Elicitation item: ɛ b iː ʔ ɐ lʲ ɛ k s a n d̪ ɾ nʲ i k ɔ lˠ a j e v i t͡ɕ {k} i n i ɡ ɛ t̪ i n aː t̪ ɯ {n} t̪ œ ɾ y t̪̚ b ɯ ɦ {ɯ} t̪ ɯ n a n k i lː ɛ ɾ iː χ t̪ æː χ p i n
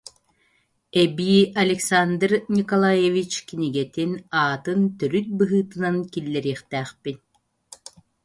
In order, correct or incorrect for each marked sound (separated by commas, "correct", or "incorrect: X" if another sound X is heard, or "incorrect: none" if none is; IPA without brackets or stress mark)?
correct, correct, incorrect: ɯː